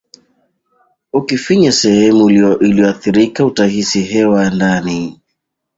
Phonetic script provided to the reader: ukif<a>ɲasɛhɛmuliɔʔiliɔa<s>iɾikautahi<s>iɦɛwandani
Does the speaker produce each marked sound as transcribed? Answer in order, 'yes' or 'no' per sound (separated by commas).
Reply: no, no, yes